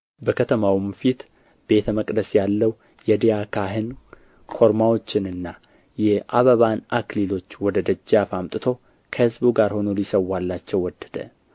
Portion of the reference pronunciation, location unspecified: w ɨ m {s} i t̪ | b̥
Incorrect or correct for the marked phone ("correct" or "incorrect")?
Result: incorrect